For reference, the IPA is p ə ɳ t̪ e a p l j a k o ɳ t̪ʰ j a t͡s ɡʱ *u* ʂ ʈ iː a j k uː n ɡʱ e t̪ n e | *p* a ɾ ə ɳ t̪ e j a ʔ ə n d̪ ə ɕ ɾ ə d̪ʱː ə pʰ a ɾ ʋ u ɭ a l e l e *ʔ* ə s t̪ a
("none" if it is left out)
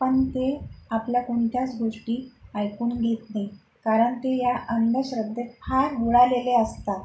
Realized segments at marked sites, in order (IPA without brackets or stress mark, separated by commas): o, k, none